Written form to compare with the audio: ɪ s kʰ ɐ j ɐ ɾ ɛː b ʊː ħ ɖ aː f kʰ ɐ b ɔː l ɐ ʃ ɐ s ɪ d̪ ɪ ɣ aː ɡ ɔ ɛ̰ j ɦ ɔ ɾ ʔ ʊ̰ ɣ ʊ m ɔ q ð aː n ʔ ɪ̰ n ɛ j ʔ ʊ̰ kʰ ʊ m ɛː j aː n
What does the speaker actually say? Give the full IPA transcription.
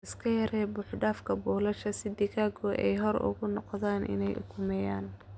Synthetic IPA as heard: ɪ s kʰ ɐ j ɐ ɾ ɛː b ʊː ħ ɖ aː f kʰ ɐ b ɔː l ɐ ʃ ɐ s ɪ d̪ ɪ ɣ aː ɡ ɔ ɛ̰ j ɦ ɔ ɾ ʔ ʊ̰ ɣ ʊ n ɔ q ð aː n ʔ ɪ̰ n ɛ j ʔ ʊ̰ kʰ ʊ m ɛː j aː n

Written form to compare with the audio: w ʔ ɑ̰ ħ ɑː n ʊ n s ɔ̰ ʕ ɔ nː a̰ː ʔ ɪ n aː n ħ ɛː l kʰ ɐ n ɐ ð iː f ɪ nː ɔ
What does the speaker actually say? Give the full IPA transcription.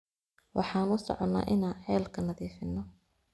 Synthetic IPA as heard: w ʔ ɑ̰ ħ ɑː n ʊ s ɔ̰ ʕ ɔ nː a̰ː ʔ ɪ n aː n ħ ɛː l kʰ ɐ n ɐ ð iː f ɪ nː ɔ

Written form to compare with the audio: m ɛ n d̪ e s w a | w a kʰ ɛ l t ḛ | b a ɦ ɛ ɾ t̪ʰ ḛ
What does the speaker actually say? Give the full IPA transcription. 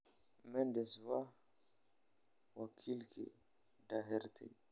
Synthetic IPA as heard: m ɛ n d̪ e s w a | w a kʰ i l k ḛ | d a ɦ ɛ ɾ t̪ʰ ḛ

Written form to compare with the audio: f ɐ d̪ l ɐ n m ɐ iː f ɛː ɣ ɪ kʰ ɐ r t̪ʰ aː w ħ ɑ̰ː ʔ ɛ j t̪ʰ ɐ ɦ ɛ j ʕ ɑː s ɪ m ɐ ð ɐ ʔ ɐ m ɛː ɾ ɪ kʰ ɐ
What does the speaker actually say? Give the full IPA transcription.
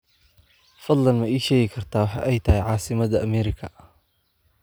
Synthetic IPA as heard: f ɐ d̪ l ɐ n m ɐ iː ʃ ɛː ɣ ɪ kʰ ɐ r t̪ʰ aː w ħ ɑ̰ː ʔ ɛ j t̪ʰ ɐ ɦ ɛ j ʕ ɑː s ɪ m ɐ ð ɐ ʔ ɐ m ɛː ɾ ɪ kʰ ɐ

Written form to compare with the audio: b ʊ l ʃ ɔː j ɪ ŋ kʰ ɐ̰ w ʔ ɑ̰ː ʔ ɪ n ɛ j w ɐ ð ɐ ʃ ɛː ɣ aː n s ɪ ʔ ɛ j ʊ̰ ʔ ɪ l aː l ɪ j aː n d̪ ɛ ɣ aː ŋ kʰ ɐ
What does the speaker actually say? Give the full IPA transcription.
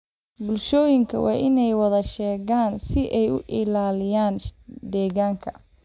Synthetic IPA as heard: b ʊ l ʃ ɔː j ɪ ŋ kʰ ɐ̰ w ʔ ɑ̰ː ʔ ɪ n ɛ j w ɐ ð ɐ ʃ ɛː ɣ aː n s ɪ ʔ ɛ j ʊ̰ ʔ ɪ l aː l ɪ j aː n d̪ ɛː ɣ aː ŋ kʰ ɐ

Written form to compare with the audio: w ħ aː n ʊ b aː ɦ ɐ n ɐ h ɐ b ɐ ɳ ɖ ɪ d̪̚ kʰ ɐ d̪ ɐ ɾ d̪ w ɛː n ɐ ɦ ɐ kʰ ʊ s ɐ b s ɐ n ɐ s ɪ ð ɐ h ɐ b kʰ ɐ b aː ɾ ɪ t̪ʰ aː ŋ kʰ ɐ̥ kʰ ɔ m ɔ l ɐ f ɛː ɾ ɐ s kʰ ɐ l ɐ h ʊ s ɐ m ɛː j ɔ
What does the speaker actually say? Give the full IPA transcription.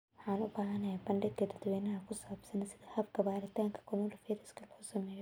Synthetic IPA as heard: w ħ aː n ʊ b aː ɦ ɐ n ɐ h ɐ b ɐ ɳ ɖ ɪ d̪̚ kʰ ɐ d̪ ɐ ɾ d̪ w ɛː n ɐ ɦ ɐ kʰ ʊ s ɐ b s ɐ n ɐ s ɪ ð ɐ h ɐ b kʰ ɐ b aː ɾ ɪ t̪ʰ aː ŋ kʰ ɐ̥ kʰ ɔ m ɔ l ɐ f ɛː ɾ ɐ s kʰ ɐ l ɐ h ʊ s ɐ m ɛː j ɔ

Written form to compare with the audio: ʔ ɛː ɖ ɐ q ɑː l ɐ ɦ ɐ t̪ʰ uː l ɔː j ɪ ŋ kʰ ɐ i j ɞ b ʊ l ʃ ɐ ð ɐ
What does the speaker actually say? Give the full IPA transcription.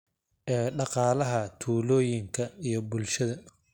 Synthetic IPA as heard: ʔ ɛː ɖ ɑ q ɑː l ɐ ɦ ɐ t̪ʰ uː l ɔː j ɪ ŋ kʰ ɐ i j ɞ b ʊ l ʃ ɐ ð ɐ

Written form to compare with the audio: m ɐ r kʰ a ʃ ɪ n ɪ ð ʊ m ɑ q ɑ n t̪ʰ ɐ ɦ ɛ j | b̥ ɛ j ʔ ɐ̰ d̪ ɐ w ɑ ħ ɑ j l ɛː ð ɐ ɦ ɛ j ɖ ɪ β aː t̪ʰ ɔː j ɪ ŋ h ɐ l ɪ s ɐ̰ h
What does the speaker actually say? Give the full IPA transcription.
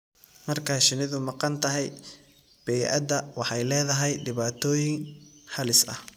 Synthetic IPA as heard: m ɐ r kʰ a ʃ ɪ n ɪ ð ʊ m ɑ q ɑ n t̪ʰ ɐ ɦ ɛ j | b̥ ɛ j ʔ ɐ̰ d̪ ɐ w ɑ ħ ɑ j l ɛː ð ɐ ɦ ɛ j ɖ ɪ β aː t̪ʰ ɔː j ɪ ŋ h ɐ l ɪ s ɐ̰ h

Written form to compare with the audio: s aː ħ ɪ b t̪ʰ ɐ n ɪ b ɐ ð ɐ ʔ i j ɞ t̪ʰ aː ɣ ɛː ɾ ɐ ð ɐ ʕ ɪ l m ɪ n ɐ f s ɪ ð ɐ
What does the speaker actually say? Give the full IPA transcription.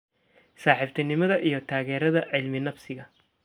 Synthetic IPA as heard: s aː ħ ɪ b t̪ʰ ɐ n ɪ m ɐ ð ɐ ʔ i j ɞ t̪ʰ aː ɣ ɛː ɾ ɐ ð ɐ ʕ ɪ l m ɪ n ɐ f s ɪ ɣ ɐ

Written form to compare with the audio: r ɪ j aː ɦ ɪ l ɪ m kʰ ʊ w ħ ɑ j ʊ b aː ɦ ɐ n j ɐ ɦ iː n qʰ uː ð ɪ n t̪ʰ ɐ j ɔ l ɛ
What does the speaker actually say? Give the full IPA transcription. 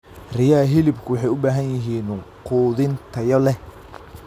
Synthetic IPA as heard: r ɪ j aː ɦ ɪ l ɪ b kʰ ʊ w ħ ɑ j ʊ b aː ɦ ɐ n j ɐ ɦ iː n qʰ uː ð ɪ n t̪ʰ ɐ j ɔ l ɛ

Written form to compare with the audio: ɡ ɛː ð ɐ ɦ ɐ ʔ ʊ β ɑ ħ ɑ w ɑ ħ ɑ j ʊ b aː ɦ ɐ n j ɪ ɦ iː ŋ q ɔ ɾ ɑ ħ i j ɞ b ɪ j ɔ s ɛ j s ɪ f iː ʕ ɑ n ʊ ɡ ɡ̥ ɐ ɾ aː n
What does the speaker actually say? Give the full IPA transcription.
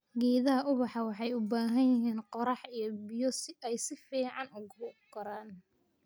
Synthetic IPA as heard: ɡ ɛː ð ɐ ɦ ɐ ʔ ʊ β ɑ ħ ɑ w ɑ ħ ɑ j ʊ b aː ɦ ɐ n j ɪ ɦ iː n q ɔ ɾ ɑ ħ i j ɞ b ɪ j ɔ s ɛ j s ɪ f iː ʕ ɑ n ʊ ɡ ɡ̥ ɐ ɾ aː n

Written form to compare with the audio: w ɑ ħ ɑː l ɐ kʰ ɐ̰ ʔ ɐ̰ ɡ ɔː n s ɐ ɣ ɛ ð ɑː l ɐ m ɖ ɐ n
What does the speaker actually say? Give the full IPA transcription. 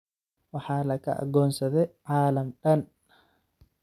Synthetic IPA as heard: w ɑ ħ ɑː l ɐ kʰ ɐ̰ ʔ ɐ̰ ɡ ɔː n s ɐ ð ɛ ʕ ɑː l ɐ m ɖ ɐ n

